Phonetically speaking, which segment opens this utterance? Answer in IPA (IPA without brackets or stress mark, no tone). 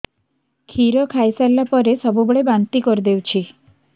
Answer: kʰ